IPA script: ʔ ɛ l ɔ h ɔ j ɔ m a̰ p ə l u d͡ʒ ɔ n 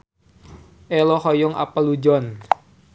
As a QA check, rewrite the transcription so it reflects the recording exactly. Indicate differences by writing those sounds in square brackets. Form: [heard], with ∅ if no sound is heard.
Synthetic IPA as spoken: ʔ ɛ l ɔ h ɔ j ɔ [ŋ] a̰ p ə l u d͡ʒ ɔ n